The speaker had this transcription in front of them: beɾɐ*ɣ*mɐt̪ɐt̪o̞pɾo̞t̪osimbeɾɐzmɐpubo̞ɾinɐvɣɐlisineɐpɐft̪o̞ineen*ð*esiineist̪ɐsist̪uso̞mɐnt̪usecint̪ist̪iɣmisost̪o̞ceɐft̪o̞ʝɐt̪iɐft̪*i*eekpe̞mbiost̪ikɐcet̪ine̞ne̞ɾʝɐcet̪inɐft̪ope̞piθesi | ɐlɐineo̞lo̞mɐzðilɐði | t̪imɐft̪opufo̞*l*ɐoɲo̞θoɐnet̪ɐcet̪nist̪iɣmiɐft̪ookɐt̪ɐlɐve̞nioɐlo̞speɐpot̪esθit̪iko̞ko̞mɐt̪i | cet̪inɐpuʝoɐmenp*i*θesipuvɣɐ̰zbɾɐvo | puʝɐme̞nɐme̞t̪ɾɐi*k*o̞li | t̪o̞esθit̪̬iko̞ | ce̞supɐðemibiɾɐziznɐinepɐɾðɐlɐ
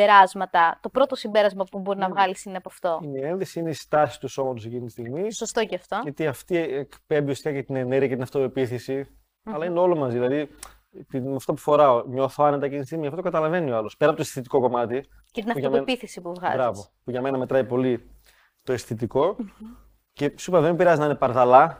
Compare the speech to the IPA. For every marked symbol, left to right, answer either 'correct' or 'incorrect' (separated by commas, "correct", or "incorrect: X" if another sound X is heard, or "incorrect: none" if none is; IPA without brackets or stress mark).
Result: incorrect: z, correct, correct, incorrect: ɾ, correct, incorrect: p